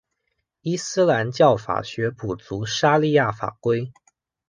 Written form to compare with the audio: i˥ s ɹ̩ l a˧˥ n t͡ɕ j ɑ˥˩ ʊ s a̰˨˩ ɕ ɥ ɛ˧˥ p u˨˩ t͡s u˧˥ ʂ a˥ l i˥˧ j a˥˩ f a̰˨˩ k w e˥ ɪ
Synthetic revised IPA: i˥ s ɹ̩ l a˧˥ n t͡ɕ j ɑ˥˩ ʊ f a̰˨˩ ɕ ɥ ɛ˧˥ p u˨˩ t͡s u˧˥ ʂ a˥ l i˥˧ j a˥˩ f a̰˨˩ k w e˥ ɪ